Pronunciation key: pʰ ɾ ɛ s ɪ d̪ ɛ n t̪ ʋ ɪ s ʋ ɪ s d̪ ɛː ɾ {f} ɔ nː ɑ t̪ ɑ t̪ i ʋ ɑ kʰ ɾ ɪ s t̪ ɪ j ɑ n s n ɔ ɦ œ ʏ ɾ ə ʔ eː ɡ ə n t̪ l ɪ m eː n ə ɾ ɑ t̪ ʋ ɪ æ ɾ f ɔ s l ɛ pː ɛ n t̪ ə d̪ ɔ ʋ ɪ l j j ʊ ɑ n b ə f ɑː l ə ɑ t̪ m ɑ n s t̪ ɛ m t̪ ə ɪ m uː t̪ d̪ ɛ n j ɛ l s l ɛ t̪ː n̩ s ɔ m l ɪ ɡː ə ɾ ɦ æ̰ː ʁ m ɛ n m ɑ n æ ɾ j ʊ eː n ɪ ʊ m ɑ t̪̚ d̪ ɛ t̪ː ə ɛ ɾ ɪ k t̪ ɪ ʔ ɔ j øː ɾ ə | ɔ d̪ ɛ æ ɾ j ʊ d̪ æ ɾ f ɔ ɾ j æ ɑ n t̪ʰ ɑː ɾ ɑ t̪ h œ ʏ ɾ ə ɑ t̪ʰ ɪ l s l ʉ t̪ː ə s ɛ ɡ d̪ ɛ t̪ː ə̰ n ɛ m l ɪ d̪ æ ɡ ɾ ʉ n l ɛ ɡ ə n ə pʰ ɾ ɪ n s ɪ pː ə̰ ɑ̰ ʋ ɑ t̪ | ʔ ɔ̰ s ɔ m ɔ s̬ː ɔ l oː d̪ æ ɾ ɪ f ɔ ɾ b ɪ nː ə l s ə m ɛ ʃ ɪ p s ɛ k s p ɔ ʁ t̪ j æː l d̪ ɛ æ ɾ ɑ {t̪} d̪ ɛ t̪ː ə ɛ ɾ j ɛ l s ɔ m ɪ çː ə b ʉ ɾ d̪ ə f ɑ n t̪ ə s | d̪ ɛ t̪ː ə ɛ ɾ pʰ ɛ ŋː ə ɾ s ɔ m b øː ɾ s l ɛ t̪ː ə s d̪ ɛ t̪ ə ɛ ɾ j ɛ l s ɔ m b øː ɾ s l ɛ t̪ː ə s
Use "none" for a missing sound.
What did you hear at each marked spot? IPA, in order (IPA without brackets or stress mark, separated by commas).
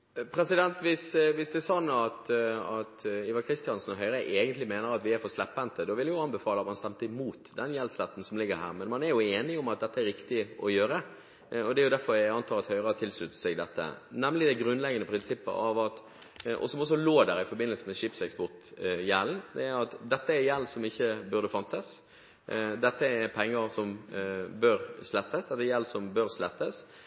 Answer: s, t̪